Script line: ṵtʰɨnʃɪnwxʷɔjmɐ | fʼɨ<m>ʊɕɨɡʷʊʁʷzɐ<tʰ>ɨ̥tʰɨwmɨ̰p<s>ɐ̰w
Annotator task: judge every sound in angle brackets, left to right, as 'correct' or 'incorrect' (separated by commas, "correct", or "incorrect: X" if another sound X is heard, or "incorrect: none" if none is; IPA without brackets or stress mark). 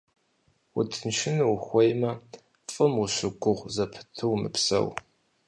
correct, incorrect: pʰ, correct